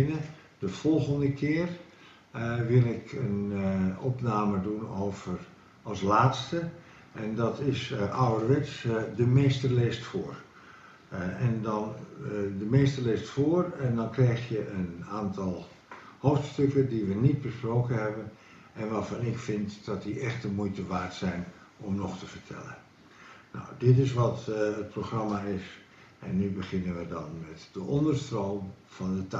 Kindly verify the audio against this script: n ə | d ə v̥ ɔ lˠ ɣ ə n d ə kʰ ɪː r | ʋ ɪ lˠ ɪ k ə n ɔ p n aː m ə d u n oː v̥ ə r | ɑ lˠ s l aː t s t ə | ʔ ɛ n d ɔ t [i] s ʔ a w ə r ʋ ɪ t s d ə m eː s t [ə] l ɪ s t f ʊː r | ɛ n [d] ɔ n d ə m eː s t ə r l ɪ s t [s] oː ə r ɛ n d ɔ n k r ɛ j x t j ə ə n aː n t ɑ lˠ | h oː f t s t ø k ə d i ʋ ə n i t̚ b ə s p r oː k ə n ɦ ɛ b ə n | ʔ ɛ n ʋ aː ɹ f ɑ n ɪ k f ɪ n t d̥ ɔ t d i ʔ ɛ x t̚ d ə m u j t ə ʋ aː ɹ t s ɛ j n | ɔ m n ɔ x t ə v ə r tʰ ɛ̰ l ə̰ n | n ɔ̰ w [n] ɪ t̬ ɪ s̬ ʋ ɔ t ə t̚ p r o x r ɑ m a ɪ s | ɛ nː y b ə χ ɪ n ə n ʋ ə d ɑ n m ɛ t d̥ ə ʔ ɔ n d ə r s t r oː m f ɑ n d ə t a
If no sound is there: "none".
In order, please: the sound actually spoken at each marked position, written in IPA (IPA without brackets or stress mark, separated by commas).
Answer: ɪ, ə, d, f, d